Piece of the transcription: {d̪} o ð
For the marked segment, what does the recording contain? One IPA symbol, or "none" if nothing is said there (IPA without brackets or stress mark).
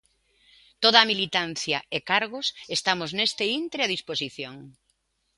t̪